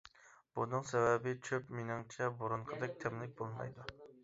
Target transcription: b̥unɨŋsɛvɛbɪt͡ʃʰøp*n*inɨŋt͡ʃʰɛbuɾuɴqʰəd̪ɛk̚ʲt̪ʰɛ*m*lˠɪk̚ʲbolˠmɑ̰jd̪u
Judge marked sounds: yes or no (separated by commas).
no, yes